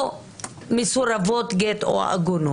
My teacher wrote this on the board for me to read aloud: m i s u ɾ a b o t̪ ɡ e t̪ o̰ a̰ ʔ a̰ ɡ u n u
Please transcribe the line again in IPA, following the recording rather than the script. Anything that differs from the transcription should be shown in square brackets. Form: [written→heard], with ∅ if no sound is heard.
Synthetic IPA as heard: m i s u ɾ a [b→v] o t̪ ɡ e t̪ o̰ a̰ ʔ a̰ ɡ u n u